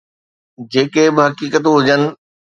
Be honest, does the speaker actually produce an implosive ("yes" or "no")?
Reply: no